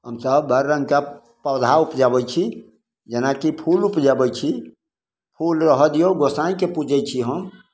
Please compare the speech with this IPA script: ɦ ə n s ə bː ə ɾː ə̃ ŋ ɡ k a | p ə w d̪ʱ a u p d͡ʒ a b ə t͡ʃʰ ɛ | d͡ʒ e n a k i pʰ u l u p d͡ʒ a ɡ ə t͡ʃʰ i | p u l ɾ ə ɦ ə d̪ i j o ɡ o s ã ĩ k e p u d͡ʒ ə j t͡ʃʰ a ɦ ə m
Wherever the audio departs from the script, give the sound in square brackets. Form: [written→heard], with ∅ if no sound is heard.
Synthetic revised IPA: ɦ ə [n→m] s ə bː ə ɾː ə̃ ŋ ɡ k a | p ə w d̪ʱ a u p d͡ʒ a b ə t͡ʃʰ [ɛ→i] | d͡ʒ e n a k i pʰ u l u p d͡ʒ a [ɡ→b] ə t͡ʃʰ i | [p→pʰ] u l ɾ ə ɦ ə d̪ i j o ɡ o s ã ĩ k e p u d͡ʒ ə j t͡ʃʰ [a→i] ɦ ə m